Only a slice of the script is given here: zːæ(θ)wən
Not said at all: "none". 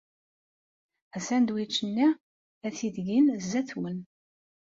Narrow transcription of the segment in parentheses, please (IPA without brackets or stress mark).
θ